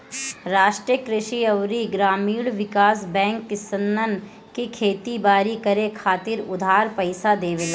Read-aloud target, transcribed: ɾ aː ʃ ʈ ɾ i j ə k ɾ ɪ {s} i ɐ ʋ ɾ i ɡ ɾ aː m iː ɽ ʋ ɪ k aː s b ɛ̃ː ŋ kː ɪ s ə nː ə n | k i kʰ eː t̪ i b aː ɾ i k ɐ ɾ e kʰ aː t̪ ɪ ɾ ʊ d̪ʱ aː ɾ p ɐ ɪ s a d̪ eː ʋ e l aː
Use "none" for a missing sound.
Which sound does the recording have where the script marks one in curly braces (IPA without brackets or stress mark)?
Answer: ʃ